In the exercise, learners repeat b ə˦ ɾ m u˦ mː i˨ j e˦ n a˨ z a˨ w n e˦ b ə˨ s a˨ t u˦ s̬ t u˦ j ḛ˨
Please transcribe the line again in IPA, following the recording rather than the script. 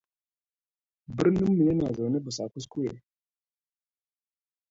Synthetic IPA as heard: b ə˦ ɾ n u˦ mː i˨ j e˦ n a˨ z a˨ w n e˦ b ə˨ s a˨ k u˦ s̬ k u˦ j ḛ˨